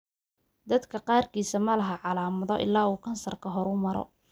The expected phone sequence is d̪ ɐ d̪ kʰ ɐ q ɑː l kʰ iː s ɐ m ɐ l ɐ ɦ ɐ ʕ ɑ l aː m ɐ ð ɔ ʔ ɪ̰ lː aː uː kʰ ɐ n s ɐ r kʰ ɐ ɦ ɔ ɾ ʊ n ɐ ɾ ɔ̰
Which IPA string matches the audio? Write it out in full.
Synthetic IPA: d̪ ɐ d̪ kʰ ɐ q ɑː r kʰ iː s ɐ m ɐ l ɐ ɦ ɐ ʕ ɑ l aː m ɐ ð ɔ ʔ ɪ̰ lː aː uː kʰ ɐ n s ɐ r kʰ ɐ ɦ ɔ ɾ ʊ m ɐ ɾ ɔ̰